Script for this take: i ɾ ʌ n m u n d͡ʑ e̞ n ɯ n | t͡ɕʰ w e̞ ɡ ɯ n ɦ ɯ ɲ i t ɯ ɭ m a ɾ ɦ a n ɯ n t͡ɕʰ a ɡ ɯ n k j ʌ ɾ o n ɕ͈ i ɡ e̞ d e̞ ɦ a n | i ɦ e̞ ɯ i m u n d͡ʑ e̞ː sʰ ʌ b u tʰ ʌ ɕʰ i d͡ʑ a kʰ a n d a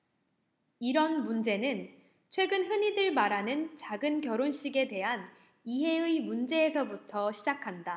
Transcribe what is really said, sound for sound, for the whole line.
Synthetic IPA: i ɾ ʌ n m u n d͡ʑ e̞ n ɯ n | t͡ɕʰ w e̞ ɡ ɯ n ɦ ɯ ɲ i d ɯ ɭ m a ɾ ɦ a n ɯ n t͡ɕ a ɡ ɯ n k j ʌ ɾ o n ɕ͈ i ɡ e̞ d e̞ ɦ a n | i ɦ e̞ ɯ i m u n d͡ʑ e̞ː sʰ ʌ b u tʰ ʌ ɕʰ i d͡ʑ a kʰ a n d a